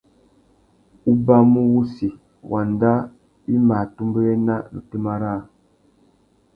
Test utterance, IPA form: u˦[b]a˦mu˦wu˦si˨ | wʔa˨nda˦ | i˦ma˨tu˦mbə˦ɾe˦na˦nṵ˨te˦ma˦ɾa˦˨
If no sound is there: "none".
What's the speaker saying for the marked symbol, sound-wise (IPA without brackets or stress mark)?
b